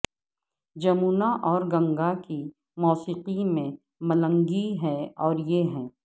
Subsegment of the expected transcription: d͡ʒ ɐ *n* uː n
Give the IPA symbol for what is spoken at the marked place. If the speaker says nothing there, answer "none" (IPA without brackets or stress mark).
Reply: m